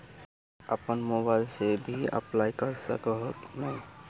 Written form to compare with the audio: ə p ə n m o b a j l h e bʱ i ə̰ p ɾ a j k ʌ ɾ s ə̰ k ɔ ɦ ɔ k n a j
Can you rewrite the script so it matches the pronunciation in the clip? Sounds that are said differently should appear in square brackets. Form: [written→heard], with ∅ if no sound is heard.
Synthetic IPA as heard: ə p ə n m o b a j l [h→s] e bʱ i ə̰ p [ɾ→l] a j k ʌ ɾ s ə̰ k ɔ ɦ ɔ k n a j